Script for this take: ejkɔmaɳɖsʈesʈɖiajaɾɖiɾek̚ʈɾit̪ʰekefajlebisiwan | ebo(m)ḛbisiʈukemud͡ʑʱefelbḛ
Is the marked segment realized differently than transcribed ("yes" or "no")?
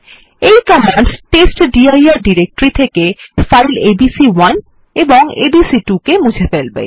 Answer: yes